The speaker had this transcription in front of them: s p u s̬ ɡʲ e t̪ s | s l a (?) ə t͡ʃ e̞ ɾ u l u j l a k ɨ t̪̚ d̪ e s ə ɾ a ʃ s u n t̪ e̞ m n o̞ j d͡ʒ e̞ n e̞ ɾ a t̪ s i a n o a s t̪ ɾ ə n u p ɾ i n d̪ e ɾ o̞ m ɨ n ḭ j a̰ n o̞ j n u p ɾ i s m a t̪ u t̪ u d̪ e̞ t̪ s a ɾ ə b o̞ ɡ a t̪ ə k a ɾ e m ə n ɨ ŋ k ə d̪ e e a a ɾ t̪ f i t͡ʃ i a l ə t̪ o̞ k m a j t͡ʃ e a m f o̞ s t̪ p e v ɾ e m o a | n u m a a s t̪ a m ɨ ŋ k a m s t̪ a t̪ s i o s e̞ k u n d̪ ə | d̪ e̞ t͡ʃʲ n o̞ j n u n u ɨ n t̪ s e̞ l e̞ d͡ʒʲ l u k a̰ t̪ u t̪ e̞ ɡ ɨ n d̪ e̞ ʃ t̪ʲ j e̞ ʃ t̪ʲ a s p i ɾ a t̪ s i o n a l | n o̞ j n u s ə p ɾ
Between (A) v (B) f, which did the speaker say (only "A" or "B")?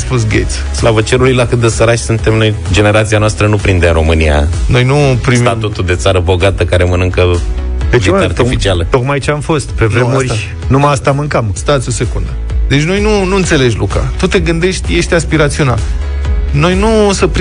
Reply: A